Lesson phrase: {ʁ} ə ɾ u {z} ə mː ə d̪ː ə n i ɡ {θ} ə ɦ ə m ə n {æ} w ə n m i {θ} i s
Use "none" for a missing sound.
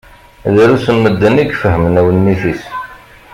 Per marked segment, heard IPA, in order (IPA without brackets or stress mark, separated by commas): ð, s, f, æ, θ